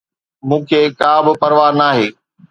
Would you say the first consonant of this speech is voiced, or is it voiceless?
voiced